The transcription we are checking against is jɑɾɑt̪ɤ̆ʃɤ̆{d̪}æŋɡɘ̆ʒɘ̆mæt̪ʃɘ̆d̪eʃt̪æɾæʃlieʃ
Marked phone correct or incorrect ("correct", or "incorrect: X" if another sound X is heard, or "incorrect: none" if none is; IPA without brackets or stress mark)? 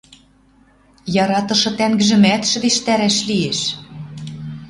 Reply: incorrect: t̪